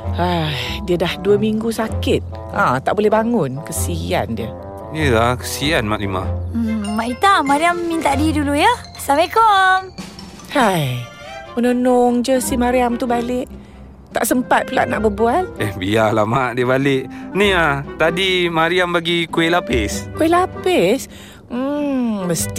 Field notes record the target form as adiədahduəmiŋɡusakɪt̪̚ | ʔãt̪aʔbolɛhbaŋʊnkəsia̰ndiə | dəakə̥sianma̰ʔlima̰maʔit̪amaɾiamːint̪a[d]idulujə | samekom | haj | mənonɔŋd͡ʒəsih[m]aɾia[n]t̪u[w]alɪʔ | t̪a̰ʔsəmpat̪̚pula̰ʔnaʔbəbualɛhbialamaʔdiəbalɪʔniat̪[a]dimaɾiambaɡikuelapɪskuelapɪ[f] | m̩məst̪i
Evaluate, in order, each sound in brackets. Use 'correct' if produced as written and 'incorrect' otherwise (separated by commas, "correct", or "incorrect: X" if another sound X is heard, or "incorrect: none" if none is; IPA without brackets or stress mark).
correct, correct, incorrect: m, incorrect: b, correct, incorrect: s